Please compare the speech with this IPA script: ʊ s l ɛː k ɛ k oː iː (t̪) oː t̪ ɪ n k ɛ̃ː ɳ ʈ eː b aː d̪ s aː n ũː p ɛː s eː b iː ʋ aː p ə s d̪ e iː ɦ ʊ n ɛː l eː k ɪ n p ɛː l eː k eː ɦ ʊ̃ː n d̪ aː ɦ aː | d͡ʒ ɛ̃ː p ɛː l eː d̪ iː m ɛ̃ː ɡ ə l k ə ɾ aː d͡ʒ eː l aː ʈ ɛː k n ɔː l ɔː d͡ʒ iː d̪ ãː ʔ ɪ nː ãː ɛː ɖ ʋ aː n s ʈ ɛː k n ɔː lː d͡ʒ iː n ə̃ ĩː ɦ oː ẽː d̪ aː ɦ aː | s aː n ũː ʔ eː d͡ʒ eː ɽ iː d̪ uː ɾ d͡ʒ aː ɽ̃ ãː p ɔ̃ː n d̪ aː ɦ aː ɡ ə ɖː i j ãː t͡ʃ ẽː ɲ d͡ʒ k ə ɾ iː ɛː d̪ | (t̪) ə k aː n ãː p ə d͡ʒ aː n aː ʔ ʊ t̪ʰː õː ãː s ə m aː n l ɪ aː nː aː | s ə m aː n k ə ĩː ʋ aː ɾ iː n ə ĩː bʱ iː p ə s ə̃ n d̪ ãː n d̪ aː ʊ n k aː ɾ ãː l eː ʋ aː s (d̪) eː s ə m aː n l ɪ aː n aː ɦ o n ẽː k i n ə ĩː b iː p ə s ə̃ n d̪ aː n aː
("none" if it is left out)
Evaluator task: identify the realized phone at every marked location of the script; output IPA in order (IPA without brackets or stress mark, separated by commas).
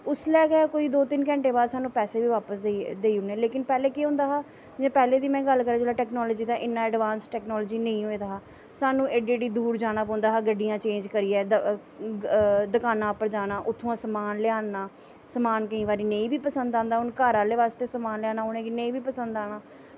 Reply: d̪, d̪, t̪